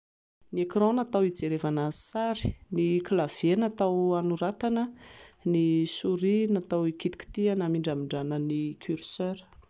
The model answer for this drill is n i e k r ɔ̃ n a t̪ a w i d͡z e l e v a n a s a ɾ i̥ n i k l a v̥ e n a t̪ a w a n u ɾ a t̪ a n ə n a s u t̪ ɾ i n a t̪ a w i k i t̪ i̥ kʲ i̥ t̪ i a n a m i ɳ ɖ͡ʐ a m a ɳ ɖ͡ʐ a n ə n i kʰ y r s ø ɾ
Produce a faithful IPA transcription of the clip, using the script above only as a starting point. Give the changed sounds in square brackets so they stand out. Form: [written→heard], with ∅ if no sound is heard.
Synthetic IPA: n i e k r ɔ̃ n a t̪ a w i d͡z e [l→ɾ] e v a n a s a ɾ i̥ n i k l a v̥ e n a t̪ a w a n u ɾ a t̪ a n ə n [a→i] s u [t̪→∅] ɾ i n a t̪ a w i k i t̪ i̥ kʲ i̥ t̪ i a n a m i ɳ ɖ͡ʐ a m [a→i] ɳ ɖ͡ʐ a n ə n i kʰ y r s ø ɾ